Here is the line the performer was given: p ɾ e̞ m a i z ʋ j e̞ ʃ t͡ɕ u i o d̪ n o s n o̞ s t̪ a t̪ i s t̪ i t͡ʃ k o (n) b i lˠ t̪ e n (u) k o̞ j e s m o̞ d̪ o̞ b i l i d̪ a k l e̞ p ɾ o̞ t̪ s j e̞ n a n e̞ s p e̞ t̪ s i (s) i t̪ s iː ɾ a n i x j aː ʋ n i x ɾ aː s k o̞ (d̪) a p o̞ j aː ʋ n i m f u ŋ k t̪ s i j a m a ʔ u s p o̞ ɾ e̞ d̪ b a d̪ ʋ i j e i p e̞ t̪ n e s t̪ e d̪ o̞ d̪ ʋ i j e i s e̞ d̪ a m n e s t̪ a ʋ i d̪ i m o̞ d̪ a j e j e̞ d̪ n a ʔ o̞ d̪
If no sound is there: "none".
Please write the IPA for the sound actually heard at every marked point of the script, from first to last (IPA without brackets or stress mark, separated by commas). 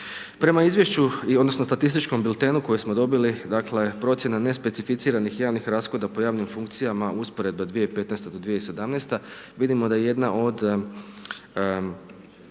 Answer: m, u, f, d̪